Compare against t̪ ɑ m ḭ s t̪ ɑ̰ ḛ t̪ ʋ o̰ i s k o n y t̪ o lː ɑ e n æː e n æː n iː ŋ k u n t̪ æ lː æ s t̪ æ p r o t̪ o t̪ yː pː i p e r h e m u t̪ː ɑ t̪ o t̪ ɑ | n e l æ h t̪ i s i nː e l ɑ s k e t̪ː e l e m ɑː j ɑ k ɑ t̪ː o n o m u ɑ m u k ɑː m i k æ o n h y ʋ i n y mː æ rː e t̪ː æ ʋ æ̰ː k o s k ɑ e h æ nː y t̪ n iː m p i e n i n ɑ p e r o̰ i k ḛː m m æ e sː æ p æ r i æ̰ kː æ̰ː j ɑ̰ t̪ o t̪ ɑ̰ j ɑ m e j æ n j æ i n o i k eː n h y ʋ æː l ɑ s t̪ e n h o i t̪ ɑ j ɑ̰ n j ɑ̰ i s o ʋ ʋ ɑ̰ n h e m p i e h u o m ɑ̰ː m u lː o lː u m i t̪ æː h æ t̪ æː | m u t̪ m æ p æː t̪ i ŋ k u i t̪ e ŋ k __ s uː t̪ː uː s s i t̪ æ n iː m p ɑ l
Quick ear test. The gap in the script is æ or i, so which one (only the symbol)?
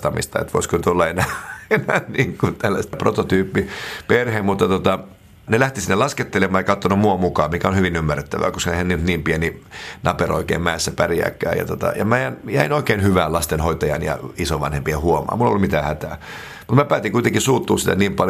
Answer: i